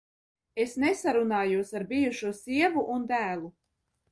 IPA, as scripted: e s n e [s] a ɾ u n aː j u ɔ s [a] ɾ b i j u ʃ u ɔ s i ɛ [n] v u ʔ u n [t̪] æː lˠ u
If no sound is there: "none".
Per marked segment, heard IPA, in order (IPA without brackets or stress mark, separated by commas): s, a, none, d̪